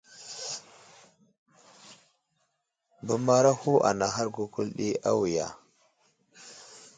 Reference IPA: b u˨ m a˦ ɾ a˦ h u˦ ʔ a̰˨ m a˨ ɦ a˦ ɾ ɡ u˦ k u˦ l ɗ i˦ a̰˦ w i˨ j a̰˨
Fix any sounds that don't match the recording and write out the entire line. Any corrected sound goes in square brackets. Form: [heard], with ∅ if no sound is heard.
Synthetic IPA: b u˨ m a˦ ɾ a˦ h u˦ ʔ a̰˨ [n] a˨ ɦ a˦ ɾ ɡ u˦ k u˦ l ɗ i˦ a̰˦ w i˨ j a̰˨